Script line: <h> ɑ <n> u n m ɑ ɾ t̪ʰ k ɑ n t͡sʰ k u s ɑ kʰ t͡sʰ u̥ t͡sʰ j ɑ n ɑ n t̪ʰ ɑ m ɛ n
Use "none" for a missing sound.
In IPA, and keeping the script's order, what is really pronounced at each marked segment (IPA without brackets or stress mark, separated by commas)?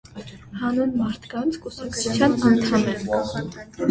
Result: h, n